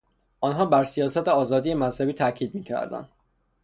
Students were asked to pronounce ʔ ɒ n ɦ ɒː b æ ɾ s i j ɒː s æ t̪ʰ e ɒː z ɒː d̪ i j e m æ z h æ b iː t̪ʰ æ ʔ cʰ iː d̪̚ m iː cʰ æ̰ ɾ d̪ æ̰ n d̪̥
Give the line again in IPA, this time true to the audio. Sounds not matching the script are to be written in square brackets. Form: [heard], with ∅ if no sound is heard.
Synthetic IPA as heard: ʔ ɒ n ɦ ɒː b æ ɾ s i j ɒː s æ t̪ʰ e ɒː z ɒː d̪ i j e m æ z h æ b iː t̪ʰ æ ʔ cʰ iː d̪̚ m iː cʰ æ̰ ɾ d̪ æ̰ n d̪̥

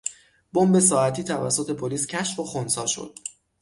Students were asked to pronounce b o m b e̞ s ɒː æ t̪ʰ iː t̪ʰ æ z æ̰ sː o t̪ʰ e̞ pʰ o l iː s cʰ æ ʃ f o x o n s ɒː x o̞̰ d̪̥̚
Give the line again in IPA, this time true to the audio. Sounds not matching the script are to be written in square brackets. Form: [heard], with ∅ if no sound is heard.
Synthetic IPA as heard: b o m b e̞ s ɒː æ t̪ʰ iː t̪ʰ æ [v] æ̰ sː o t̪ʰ e̞ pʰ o l iː s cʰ æ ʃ f o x o n s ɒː [ʃ] o̞̰ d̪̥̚

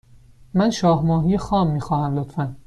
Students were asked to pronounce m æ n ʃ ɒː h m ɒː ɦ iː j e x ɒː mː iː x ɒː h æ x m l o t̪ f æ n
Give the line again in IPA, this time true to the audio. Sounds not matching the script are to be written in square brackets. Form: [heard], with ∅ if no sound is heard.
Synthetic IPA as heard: m æ n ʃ ɒː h m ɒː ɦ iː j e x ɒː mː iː x ɒː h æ [∅] m l o t̪ f æ n

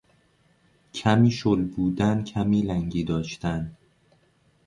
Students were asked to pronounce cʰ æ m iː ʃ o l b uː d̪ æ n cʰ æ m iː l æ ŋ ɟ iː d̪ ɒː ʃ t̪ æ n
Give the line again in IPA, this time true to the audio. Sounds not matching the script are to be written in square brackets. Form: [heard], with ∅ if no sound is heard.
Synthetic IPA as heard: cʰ æ m iː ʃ o l b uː d̪ æ n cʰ æ m iː l æ ŋ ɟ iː d̪ ɒː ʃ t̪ æ n

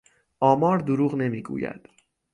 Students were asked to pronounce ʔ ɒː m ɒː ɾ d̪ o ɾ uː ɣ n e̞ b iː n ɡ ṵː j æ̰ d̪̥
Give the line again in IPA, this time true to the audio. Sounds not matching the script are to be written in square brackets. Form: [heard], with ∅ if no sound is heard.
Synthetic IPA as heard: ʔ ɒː m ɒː ɾ d̪ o ɾ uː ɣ n e̞ [m] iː [∅] ɡ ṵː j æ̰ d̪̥

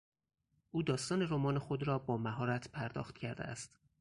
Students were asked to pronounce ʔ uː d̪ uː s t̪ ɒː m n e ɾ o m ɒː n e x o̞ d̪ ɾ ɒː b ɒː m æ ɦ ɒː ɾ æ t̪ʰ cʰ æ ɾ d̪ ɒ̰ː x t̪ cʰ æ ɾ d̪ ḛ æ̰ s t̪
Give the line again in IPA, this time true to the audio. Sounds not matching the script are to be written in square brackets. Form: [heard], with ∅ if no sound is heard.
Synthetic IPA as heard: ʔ uː d̪ [ɒː] s t̪ ɒː [∅] n e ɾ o m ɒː n e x o̞ d̪ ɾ ɒː b ɒː m æ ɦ ɒː ɾ æ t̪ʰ [pʰ] æ ɾ d̪ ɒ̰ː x t̪ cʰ æ ɾ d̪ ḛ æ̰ s t̪

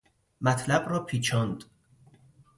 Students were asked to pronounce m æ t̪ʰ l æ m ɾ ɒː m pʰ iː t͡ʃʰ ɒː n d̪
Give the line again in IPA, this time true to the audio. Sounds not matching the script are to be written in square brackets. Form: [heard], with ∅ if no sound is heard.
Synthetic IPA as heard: m æ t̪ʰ l æ [b] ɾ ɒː [∅] pʰ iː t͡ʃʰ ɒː n d̪

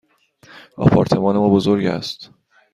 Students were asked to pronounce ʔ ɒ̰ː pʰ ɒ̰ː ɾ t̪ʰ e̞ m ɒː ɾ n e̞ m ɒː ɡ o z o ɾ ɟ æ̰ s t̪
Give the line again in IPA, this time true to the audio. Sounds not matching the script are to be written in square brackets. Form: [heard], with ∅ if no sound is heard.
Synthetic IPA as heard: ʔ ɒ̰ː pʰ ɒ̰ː ɾ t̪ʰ e̞ m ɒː [∅] n e̞ m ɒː [b] o z o ɾ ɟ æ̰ s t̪

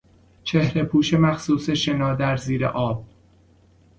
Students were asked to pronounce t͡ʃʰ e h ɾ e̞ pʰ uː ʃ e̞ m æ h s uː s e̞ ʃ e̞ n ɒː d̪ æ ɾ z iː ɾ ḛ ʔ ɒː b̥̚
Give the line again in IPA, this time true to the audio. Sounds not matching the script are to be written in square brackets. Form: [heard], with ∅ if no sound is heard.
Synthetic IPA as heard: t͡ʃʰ e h ɾ e̞ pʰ uː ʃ e̞ m æ [x] s uː s e̞ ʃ e̞ n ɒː d̪ æ ɾ z iː ɾ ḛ ʔ ɒː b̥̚

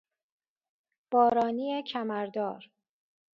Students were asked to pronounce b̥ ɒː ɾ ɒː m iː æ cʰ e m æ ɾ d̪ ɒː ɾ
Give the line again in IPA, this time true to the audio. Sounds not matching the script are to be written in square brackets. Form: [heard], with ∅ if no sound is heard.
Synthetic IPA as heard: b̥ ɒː ɾ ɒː [n] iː [e] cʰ [æ] m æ ɾ d̪ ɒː ɾ

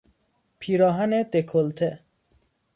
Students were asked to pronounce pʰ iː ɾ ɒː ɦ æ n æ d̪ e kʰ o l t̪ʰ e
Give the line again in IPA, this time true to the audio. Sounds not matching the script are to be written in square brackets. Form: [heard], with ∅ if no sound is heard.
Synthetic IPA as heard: pʰ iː ɾ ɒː ɦ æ n [e] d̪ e kʰ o l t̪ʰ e

